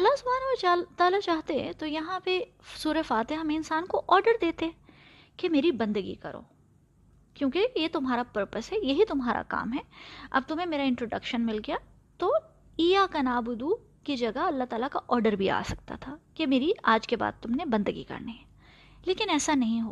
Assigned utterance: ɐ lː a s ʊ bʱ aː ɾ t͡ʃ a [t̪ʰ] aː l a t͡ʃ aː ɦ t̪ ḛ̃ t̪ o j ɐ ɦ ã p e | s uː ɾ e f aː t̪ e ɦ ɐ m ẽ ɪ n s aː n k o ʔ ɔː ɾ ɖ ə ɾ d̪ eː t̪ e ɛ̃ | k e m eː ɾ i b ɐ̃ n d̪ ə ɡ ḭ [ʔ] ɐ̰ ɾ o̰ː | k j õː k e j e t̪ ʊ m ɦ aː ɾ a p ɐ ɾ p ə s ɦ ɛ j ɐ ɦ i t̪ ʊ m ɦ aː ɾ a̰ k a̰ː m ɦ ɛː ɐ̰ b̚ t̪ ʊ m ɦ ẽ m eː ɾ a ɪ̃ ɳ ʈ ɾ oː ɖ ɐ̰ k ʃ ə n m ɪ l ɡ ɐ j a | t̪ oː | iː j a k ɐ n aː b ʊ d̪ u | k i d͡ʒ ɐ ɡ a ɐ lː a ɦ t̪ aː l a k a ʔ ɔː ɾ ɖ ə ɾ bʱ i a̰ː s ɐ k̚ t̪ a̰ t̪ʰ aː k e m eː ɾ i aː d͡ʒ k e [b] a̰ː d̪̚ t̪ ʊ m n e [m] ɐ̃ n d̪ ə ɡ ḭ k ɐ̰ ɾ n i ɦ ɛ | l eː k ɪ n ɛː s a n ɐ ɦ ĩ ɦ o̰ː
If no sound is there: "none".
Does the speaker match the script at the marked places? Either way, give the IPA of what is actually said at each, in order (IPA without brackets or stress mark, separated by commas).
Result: t̪, k, b, b